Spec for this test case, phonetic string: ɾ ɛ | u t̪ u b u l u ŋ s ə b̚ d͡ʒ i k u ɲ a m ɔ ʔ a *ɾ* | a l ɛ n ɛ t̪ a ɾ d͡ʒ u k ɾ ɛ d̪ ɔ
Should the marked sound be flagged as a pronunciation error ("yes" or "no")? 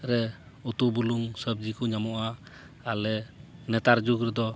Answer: yes